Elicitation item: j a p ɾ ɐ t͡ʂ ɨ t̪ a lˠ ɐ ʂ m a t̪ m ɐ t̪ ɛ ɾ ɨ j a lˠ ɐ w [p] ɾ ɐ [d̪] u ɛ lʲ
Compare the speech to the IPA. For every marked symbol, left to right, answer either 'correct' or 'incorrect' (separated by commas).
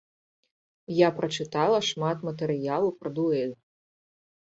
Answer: correct, correct